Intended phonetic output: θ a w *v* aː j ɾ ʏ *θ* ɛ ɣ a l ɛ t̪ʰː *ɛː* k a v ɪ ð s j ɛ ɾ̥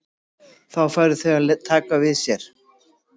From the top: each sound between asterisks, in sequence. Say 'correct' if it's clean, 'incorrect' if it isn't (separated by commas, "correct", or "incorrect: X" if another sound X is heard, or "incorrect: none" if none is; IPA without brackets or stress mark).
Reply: incorrect: f, correct, incorrect: aː